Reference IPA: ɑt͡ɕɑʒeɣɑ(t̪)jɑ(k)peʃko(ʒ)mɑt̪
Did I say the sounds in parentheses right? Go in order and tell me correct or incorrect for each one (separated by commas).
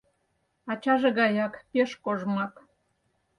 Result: incorrect, correct, correct